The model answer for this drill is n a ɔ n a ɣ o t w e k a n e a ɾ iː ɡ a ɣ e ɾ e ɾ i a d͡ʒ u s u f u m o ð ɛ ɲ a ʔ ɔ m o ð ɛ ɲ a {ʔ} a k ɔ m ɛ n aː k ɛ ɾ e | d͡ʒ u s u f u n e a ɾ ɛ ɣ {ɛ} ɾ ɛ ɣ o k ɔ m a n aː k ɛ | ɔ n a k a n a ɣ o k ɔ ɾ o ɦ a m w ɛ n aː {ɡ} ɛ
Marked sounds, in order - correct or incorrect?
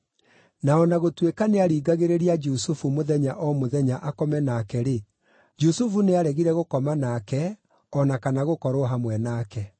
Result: correct, incorrect: i, incorrect: k

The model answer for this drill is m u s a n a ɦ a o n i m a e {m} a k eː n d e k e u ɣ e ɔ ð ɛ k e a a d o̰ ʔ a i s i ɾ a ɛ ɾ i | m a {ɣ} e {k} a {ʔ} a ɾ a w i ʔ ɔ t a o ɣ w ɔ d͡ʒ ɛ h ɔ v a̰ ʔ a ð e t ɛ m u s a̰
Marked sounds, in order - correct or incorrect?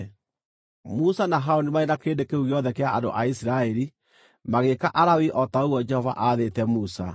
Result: incorrect: n, correct, correct, correct

